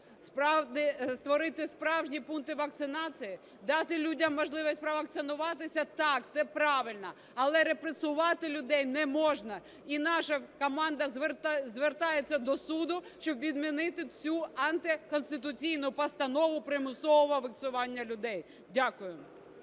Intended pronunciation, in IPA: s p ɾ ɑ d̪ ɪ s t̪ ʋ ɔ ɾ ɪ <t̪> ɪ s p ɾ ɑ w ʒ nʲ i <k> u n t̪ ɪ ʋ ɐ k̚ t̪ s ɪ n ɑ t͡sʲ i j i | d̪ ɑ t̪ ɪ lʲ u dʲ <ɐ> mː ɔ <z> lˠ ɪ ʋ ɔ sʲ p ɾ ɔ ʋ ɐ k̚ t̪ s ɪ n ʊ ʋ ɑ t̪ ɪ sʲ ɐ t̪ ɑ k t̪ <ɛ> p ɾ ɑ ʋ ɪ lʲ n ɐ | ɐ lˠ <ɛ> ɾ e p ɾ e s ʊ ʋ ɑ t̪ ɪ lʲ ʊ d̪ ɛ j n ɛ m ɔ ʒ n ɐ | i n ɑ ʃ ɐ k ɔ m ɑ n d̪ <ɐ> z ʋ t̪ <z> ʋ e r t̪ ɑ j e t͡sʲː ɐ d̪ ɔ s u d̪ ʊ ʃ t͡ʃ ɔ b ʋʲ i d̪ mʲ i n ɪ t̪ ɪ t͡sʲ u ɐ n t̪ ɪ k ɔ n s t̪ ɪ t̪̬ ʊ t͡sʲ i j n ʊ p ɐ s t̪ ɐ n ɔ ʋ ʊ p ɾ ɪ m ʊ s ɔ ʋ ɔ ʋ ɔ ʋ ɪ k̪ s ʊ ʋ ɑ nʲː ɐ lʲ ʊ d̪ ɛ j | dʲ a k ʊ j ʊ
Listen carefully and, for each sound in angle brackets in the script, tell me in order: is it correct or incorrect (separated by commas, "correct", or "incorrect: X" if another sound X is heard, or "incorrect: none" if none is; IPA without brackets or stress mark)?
correct, incorrect: p, correct, incorrect: ʒ, correct, correct, correct, correct